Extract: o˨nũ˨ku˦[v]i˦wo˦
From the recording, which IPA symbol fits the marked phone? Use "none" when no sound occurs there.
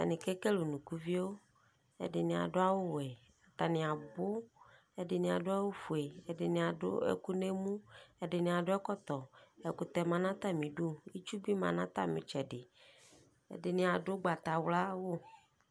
v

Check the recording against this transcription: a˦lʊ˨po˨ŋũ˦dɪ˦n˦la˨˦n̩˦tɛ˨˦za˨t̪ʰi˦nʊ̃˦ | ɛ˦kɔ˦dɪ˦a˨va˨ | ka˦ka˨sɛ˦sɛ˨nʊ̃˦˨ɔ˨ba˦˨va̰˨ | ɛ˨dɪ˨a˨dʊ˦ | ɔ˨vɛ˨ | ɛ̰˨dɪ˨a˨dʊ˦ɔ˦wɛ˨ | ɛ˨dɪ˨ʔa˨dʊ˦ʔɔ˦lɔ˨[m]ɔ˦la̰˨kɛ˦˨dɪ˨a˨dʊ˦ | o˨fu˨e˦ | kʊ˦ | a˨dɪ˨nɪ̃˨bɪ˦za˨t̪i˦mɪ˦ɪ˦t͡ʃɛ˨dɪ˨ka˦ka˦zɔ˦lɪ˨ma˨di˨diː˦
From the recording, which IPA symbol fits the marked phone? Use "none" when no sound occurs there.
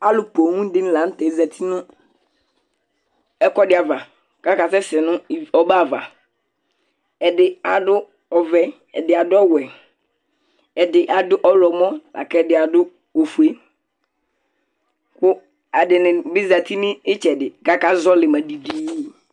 m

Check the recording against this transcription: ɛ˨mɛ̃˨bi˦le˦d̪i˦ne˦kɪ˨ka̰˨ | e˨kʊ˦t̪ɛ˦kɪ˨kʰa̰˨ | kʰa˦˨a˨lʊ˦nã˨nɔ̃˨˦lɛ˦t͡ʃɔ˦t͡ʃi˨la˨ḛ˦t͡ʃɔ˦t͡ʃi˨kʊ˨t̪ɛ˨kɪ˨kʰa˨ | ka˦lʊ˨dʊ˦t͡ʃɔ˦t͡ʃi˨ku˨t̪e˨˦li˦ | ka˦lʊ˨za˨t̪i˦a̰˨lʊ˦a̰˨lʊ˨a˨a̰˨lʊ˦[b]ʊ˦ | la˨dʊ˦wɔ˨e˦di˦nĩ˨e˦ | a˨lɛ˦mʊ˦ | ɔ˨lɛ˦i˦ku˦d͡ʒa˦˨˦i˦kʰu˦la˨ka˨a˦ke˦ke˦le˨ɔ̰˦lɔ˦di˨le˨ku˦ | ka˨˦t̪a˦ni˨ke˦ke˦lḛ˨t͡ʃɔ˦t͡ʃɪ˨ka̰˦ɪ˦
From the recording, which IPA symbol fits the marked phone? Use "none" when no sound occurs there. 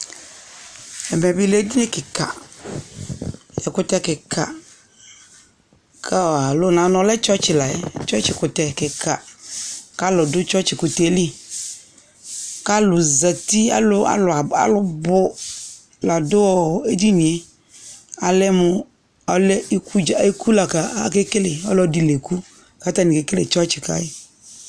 b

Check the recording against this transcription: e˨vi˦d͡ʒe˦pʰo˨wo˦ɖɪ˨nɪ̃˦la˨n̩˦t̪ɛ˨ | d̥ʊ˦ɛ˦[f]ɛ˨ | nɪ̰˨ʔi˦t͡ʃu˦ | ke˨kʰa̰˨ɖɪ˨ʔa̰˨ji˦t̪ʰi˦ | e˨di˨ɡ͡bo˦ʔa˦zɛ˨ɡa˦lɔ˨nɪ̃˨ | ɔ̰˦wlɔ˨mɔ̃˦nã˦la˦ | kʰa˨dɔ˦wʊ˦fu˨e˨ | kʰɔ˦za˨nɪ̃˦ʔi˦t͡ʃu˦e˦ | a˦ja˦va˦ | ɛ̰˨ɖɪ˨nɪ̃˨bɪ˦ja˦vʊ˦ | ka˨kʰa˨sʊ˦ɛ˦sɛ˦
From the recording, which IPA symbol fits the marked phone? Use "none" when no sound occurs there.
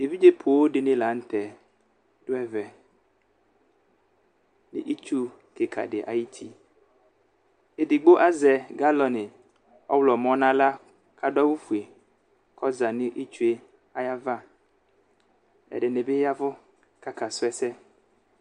v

